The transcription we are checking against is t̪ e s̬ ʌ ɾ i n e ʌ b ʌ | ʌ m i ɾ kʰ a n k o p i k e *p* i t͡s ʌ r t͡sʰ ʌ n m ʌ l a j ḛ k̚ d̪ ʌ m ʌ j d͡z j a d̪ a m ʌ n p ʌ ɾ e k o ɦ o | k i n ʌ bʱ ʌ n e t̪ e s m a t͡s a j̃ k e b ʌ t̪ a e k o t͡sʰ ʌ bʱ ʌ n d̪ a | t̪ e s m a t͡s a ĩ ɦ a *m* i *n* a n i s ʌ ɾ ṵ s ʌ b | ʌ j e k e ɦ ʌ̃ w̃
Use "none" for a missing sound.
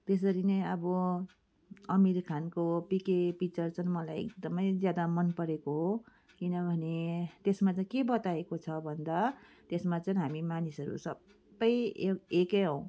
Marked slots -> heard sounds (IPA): p, m, m

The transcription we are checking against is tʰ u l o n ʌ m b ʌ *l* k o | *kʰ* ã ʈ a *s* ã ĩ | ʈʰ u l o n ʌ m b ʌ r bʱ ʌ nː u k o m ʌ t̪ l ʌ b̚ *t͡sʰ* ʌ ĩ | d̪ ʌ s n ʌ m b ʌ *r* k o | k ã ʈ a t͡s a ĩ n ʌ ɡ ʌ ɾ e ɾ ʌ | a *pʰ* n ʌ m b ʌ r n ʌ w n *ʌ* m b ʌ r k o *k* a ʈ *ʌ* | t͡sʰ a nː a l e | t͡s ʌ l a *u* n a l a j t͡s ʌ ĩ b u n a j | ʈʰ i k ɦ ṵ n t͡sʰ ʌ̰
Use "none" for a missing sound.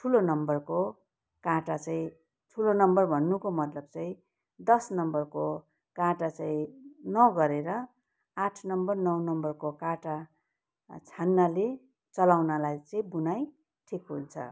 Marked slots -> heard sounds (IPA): r, k, t͡s, t͡s, r, ʈʰ, ʌ, k, a, w

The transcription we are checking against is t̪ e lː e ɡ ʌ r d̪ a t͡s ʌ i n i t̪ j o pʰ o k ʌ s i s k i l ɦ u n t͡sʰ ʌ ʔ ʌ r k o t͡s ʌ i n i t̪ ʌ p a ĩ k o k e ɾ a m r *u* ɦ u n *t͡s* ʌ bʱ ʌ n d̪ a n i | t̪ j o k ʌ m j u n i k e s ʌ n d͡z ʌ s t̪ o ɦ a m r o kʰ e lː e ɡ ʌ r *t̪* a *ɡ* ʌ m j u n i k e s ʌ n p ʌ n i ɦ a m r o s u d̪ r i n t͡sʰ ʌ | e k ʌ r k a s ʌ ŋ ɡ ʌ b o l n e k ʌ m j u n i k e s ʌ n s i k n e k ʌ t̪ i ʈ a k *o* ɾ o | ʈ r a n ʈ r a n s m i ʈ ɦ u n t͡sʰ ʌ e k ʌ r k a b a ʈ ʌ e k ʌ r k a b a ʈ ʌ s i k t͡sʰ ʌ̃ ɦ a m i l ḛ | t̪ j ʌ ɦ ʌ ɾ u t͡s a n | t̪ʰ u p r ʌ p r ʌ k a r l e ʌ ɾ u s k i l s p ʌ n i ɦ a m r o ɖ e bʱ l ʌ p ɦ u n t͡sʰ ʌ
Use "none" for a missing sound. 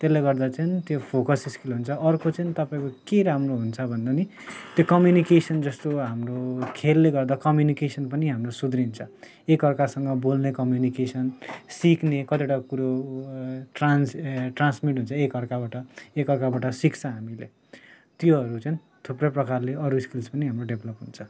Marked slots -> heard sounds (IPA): o, t͡sʰ, d̪, k, u

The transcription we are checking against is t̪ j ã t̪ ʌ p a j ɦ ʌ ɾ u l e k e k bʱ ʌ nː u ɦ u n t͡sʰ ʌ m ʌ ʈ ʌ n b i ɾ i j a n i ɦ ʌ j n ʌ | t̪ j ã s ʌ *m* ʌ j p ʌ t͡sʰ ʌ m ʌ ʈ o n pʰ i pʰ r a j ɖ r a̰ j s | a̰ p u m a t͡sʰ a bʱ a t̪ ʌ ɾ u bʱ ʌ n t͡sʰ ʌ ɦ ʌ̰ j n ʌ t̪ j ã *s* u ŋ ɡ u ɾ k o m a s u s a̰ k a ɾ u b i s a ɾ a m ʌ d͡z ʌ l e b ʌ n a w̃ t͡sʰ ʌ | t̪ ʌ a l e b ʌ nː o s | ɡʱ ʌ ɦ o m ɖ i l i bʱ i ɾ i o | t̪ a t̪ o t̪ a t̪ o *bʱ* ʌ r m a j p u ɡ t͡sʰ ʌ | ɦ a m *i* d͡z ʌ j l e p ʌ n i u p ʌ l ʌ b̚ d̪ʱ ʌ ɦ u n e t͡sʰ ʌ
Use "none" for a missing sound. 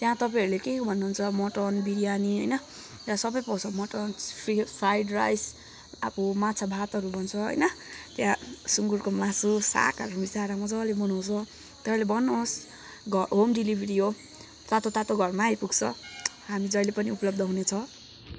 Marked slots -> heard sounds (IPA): b, s, ɡʱ, i

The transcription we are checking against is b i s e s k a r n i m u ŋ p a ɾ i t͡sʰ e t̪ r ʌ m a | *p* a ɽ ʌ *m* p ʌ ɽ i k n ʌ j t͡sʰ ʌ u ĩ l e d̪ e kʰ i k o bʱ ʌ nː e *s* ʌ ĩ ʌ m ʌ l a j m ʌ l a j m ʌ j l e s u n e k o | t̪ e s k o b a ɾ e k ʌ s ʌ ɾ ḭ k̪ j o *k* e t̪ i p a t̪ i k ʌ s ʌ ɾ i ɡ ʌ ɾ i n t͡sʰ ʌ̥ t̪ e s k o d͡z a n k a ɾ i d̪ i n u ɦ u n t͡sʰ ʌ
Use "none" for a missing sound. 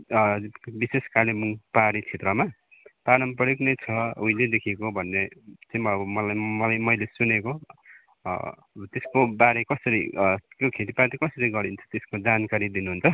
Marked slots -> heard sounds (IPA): p, m, t͡s, kʰ

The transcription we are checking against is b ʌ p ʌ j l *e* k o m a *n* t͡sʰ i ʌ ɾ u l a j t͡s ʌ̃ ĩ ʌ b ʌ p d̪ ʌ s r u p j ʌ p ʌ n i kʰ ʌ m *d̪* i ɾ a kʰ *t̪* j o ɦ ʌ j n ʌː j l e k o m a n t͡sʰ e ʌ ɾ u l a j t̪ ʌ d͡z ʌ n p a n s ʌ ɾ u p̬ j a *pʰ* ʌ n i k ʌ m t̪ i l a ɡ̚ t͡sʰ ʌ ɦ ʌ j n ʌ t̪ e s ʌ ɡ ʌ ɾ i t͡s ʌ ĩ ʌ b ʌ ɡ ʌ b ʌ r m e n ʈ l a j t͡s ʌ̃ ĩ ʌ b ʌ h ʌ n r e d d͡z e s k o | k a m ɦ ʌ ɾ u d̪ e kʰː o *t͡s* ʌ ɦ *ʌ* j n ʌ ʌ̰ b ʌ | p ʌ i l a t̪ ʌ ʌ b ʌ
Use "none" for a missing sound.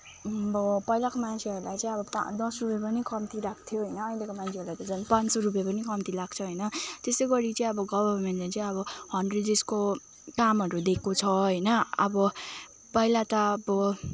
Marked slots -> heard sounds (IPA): a, n, t̪, t̪ʰ, p, t͡sʰ, ʌ

